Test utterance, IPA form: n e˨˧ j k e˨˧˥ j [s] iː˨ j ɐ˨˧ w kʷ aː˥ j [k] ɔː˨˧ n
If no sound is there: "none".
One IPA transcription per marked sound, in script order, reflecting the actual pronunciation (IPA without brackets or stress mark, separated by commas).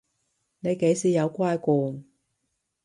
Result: s, k